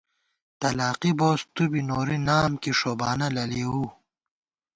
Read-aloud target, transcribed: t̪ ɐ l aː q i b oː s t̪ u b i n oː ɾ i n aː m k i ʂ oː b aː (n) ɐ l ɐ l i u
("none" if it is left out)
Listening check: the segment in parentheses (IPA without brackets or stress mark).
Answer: n